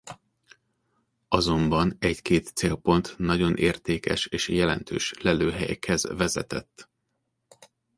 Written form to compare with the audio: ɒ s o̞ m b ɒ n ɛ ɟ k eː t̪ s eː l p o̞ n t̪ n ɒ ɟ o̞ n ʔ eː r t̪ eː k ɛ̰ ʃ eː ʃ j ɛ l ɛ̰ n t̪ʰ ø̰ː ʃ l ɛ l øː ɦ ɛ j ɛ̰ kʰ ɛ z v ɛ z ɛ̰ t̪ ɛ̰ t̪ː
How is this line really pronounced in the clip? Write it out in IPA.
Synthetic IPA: ɒ z o̞ m b ɒ n ɛ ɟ k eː t̪ s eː l p o̞ n t̪ n ɒ ɟ o̞ n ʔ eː r t̪ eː k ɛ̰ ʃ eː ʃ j ɛ l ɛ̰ n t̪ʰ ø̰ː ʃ l ɛ l øː ɦ ɛ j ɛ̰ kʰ ɛ z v ɛ z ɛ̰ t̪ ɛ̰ t̪ː